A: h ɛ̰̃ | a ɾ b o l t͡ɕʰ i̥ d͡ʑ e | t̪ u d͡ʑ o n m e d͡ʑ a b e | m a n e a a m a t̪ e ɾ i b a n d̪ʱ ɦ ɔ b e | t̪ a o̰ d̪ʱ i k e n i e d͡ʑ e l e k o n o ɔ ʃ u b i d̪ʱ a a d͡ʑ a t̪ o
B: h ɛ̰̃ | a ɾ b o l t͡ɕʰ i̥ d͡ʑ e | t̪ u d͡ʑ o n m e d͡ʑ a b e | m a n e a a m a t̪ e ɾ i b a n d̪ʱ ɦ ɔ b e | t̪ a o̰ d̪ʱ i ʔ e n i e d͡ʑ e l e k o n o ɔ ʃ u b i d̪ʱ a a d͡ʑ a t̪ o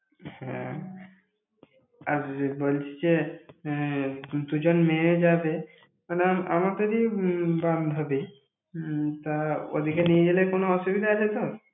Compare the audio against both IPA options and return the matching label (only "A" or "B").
A